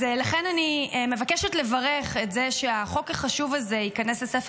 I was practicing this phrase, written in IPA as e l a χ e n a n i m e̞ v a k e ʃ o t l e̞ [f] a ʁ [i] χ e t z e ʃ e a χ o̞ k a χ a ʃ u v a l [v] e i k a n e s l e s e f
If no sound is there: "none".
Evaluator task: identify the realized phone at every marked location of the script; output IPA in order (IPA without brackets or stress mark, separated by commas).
v, e, z